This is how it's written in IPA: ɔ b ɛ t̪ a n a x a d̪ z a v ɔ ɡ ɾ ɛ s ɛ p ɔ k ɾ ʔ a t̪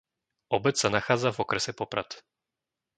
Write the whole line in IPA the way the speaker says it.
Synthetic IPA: ɔ b ɛ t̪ a n a x a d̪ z a v ɔ k ɾ ɛ s ɛ p ɔ p ɾ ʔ a t̪